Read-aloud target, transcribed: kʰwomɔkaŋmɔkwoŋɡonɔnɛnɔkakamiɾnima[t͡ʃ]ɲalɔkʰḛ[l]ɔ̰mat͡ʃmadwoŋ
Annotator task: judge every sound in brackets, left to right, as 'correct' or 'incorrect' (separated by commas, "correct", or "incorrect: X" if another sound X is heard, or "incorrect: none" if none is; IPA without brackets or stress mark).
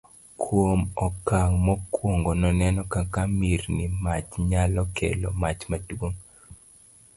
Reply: correct, correct